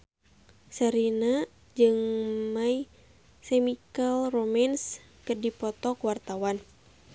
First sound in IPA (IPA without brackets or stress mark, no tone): s